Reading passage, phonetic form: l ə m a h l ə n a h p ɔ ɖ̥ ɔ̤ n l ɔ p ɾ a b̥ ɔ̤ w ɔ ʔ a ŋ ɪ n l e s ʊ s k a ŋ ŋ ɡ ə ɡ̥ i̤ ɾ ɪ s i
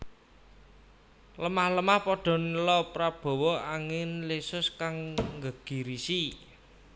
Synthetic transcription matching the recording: l ə m a h l ə m a h p ɔ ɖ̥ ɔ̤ n l ɔ p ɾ a b̥ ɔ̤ w ɔ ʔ a ŋ ɪ n l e s ʊ s k a ŋ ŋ ɡ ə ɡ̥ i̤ ɾ i s i

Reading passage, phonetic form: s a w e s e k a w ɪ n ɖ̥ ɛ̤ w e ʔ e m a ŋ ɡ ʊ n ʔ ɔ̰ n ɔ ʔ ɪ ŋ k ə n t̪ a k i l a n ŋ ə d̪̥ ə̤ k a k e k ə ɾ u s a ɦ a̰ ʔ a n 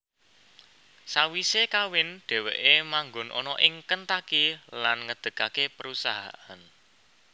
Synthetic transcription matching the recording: s a w i s e k a w ɪ n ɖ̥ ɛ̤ w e ʔ e m a ŋ ɡ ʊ n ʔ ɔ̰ n ɔ ʔ ɪ ŋ k ə n t̪ a k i l a n ŋ ə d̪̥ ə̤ k a k e p ə ɾ u s a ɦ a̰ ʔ a n

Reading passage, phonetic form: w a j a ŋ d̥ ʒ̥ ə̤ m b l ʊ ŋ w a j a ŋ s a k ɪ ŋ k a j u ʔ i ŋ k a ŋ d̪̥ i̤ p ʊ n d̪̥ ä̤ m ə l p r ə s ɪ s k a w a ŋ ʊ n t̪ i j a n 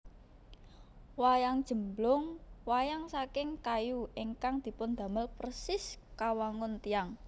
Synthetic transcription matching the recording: w a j a ŋ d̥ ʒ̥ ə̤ m b l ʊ ŋ w a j a ŋ s a k ɪ ŋ k a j u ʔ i ŋ k a ŋ d̪̥ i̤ p ʊ n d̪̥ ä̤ m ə l p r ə s ɪ s k a w a ŋ ʊ n t̪ i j a ŋ

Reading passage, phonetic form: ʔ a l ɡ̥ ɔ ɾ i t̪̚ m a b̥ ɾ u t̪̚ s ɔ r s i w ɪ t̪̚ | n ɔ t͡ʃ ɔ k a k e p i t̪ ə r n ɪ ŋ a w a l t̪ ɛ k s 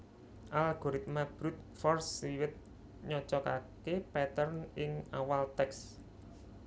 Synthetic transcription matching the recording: ʔ a l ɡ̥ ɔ ɾ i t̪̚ m a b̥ ɾ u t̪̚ f ɔ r s i w ɪ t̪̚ | ɲ ɔ t͡ʃ ɔ k a k e p ɛ t̪ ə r n ɪ ŋ a w a l t̪ ɛ k s

